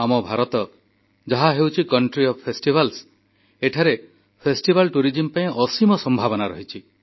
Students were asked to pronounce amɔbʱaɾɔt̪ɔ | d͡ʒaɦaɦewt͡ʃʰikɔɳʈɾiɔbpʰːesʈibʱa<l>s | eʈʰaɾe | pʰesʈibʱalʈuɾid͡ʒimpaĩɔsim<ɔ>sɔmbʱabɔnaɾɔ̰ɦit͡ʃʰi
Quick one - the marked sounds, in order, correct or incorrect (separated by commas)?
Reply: correct, correct